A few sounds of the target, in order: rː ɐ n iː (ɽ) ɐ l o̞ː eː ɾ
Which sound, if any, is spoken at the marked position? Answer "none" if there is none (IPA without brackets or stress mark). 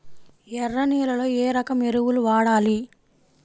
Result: l